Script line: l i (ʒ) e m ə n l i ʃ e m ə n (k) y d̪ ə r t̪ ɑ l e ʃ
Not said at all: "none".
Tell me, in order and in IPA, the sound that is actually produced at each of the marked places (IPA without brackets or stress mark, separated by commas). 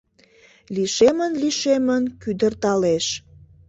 ʃ, k